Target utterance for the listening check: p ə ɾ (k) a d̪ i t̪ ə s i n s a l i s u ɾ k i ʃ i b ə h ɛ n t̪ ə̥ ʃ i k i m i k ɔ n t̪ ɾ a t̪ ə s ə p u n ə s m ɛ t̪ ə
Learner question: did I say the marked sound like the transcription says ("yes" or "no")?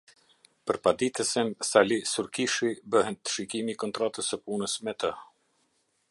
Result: no